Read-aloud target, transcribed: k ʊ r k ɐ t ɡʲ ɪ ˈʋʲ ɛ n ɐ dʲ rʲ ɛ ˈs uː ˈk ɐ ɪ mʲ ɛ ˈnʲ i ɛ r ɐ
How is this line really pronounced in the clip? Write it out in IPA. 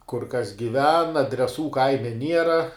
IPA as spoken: k ʊ r k ɐ s ɡʲ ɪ ˈʋʲ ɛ n ɐ dʲ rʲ ɛ ˈs uː ˈk ɐ ɪ mʲ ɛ ˈnʲ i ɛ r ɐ